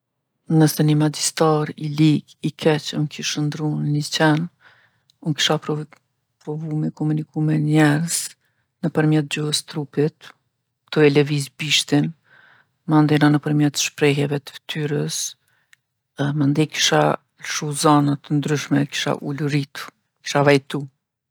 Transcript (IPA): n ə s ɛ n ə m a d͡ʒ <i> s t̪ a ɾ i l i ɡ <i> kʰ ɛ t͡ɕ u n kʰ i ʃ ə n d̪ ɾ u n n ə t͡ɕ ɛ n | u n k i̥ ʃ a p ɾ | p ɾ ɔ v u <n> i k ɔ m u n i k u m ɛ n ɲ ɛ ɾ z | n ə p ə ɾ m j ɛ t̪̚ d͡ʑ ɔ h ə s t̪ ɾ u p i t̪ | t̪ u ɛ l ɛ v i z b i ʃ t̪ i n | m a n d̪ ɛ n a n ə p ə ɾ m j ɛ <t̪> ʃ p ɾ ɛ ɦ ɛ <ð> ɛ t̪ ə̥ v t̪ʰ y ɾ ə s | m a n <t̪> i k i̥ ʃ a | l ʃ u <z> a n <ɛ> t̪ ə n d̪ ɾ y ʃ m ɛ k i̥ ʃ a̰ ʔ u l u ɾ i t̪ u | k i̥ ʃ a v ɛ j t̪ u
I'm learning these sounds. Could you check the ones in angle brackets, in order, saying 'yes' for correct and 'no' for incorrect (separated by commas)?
yes, yes, no, yes, no, no, yes, no